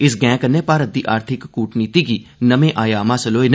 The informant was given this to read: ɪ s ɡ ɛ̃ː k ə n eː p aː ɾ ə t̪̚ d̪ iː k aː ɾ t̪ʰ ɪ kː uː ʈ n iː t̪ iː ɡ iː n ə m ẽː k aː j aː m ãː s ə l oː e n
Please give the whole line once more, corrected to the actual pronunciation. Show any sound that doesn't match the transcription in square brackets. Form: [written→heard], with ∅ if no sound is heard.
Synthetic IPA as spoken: ɪ s ɡ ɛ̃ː k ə n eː p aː ɾ ə t̪̚ d̪ iː [k→ʔ] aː ɾ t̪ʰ ɪ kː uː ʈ n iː t̪ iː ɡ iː n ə m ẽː [k→ʔ] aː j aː m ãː s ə l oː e n